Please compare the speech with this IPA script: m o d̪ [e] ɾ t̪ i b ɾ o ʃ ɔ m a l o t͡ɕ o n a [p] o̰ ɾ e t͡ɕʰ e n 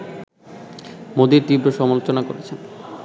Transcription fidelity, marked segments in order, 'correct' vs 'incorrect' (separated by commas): incorrect, incorrect